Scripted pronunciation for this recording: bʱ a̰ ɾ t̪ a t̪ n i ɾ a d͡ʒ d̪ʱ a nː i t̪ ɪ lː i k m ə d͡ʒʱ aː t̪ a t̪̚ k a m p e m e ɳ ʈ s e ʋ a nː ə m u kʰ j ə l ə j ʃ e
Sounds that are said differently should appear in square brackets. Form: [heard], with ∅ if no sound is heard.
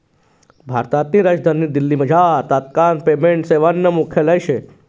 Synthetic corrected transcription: bʱ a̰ ɾ t̪ a t̪ n i ɾ a d͡ʒ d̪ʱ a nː i [d̪] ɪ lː i [∅] m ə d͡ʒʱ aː t̪ a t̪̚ k a [n] p e m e ɳ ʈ s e ʋ a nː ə m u kʰ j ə l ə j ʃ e